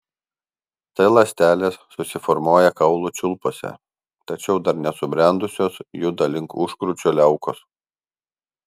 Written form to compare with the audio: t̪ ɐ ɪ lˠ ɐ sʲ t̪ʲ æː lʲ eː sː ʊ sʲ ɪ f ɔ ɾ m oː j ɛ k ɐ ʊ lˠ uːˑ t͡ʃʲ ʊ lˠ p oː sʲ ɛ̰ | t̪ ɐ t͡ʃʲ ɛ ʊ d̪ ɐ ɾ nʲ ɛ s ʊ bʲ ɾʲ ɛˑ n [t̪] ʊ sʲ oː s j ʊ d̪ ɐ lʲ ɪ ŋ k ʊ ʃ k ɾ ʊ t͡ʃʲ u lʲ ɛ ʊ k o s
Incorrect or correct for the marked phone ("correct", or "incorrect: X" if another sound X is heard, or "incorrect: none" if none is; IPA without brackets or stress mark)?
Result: incorrect: d̪